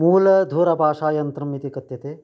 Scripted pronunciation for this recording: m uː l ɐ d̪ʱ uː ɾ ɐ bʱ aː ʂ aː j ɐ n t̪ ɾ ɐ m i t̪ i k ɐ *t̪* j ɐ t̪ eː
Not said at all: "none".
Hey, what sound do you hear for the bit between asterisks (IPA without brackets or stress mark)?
t̪